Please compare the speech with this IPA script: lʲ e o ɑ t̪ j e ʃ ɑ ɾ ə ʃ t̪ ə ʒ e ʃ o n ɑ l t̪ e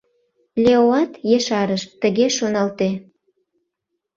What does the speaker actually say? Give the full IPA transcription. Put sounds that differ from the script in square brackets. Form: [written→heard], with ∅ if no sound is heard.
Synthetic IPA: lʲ e o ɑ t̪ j e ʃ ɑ ɾ ə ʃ t̪ ə [ʒ→ɣ] e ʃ o n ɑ l t̪ e